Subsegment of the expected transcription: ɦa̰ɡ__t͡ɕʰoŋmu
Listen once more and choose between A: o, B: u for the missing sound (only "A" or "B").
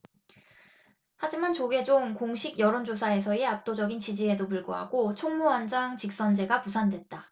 A